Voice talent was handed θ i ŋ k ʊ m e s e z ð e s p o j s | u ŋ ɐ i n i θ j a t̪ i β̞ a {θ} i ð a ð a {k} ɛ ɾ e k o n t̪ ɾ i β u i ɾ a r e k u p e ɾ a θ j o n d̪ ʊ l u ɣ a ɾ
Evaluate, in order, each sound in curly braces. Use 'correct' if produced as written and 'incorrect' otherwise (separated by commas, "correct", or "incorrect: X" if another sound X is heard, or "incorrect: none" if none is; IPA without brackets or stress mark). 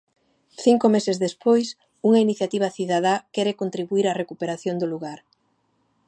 correct, correct